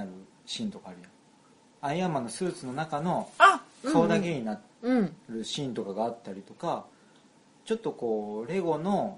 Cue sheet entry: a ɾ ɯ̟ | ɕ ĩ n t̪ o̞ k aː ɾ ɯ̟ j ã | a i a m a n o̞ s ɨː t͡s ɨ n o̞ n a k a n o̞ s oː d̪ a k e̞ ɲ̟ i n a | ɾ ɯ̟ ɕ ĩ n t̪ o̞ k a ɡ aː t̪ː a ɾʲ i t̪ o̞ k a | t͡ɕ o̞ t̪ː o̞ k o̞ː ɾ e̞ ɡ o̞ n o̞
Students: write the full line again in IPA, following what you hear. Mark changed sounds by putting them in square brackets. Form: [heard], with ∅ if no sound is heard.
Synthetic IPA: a ɾ ɯ̟ | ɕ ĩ n t̪ o̞ k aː ɾ ɯ̟ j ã | a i a m a n o̞ s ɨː t͡s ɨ n o̞ n a k a n o̞ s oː d̪ a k e̞ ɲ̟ i n a | ɾ ɯ̟ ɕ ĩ n t̪ o̞ k a ɡ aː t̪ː a ɾʲ i t̪ o̞ k a | t͡ɕ o̞ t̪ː o̞ k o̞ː ɾ e̞ ɡ o̞ n o̞